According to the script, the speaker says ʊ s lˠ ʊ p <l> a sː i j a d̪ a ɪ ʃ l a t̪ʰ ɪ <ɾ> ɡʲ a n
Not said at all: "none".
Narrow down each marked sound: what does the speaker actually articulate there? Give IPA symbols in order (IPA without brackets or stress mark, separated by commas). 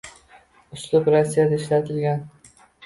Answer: ɾ, l